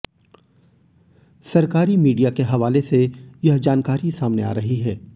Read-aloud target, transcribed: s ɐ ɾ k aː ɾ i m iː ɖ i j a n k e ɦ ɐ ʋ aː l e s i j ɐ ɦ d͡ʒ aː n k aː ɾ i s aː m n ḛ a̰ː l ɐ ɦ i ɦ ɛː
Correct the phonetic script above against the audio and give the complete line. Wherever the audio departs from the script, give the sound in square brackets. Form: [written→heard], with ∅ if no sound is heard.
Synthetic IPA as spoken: s ɐ ɾ k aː ɾ i m iː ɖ i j a [n→∅] k e ɦ ɐ ʋ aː l e s [i→e] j ɐ ɦ d͡ʒ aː n k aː ɾ i s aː m n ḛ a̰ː [l→ɾ] ɐ ɦ i ɦ ɛː